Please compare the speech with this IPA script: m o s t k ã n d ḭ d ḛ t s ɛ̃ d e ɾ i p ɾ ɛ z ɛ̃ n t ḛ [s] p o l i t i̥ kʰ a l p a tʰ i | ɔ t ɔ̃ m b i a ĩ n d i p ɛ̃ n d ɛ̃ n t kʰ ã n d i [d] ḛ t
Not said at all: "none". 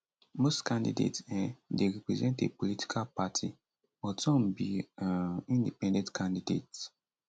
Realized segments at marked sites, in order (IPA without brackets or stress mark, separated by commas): none, d